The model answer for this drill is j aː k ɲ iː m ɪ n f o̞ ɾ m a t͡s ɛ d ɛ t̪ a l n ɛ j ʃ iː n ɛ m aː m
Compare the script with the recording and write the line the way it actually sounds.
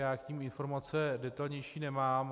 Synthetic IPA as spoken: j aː k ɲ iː m ɪ n f o̞ ɾ m a t͡s ɛ d ɛ t̪ a l ɲ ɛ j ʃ iː n ɛ m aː m